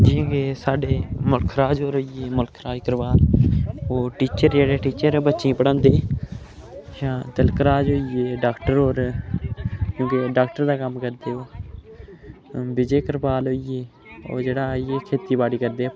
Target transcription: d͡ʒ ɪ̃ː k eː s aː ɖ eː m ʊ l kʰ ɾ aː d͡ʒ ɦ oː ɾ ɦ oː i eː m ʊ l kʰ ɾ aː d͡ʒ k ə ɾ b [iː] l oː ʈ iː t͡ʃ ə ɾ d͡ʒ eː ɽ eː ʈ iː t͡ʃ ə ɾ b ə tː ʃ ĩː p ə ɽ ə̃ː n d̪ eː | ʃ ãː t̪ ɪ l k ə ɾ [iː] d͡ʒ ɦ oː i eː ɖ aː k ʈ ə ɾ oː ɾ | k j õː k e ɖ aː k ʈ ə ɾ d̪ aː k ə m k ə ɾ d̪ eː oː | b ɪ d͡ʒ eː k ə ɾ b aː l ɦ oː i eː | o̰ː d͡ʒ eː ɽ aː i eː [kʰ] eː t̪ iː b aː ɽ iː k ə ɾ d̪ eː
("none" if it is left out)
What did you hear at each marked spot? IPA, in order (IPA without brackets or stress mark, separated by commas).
aː, aː, kʰ